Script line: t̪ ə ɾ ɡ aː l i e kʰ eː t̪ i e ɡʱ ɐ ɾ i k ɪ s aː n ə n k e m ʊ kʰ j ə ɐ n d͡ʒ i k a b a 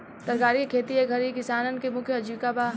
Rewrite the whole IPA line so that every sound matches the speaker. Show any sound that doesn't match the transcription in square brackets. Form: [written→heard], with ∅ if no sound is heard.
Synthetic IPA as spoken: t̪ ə ɾ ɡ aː [l→ɾ] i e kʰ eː t̪ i e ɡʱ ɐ ɾ i k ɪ s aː n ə n k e m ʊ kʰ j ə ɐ [n→∅] d͡ʒ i k a b a